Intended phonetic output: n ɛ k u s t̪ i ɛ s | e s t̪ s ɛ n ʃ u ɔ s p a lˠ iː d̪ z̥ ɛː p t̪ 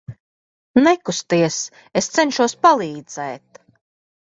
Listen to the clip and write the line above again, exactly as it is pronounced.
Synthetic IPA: n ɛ k u s t̪ i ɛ s | e s t̪ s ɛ n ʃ u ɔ s p a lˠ iː d̪ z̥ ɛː t̪

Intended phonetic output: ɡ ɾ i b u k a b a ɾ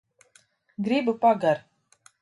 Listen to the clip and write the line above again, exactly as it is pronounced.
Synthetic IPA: ɡ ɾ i b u p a ɡ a ɾ

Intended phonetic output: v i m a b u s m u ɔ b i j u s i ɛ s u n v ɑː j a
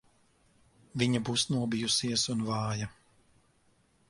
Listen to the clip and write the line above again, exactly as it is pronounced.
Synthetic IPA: v i ɲ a b u s n u ɔ b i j u s i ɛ s u n v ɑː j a

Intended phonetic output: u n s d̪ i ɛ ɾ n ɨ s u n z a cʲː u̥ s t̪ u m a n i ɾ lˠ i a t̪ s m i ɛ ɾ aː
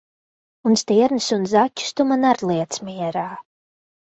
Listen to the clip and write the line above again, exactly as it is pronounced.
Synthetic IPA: u n s t̪ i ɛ ɾ n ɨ s u n z a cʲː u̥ s t̪ u m a n a ɾ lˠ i ɛ t̪ s m i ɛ ɾ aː

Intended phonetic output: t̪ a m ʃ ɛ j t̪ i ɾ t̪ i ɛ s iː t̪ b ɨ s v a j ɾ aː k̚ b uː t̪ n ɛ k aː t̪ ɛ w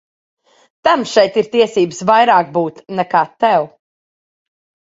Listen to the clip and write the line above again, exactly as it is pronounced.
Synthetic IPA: t̪ a m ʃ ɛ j t̪ i ɾ t̪ i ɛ s iː b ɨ s v a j ɾ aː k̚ b uː t̪ n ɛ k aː t̪ ɛ w

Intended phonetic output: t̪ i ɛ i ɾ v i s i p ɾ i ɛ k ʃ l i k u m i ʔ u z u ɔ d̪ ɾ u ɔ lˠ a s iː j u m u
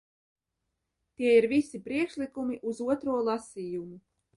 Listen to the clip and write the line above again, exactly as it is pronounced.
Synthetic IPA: t̪ i ɛ i ɾ v i s i p ɾ i ɛ k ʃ l i k u m i ʔ u z u ɔ t̪ ɾ u ɔ lˠ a s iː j u m u

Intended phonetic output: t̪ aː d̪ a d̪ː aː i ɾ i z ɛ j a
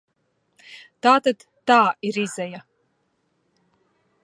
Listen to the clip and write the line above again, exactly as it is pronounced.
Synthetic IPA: t̪ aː t̪ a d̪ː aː i ɾ i z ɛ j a

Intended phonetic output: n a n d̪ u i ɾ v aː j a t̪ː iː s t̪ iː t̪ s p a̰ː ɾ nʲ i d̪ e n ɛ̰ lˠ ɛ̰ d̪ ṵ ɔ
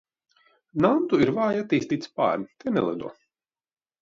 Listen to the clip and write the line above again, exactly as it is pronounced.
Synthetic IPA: n a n t̪ u i ɾ v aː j a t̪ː iː s t̪ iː t̪ s p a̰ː ɾ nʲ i t̪ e n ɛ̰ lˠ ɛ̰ d̪ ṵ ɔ

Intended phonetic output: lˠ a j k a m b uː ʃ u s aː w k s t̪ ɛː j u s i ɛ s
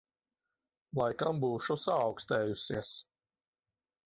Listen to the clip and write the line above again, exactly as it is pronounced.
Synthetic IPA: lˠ a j k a m b uː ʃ u s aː w k s t̪ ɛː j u s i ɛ s

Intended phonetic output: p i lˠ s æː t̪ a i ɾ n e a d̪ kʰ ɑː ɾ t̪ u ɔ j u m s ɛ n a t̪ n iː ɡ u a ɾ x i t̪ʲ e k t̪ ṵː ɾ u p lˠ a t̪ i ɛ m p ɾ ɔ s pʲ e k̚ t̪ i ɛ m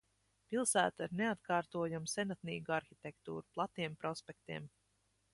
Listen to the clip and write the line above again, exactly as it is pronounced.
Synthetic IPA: p i lˠ s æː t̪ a i ɾ n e a t̪ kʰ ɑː ɾ t̪ u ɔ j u m s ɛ n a t̪ n iː ɡ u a ɾ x i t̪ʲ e k t̪ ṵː ɾ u p lˠ a t̪ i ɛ m p ɾ ɔ s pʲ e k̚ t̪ i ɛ m

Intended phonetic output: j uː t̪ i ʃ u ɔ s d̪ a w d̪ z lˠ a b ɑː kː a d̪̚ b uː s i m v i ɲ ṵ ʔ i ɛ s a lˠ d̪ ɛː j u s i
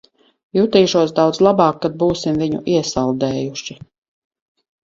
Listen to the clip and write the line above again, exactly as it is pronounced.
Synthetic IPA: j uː t̪ iː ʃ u ɔ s d̪ a w d̪ z lˠ a b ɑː kː a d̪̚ b uː s i m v i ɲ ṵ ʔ i ɛ s a lˠ d̪ ɛː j u ʃ i

